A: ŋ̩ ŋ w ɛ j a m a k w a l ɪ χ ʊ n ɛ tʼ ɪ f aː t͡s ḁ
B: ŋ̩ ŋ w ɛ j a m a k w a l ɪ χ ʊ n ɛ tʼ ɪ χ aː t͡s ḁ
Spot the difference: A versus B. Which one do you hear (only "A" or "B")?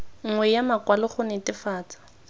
A